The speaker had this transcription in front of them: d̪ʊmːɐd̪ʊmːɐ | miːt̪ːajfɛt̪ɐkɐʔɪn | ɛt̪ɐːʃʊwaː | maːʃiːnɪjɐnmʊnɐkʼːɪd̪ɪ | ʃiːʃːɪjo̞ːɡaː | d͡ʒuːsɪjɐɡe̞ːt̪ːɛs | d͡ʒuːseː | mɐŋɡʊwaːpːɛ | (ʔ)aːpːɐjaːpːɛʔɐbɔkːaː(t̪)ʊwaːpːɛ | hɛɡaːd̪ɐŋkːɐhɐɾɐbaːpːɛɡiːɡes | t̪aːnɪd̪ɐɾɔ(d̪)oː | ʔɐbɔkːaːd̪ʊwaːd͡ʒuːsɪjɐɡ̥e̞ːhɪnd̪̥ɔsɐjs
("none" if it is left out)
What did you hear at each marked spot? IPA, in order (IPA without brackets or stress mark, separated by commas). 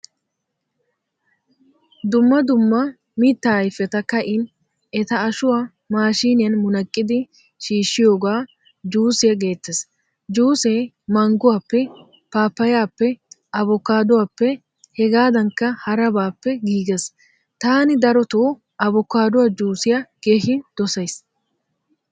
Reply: p, d̪, t̪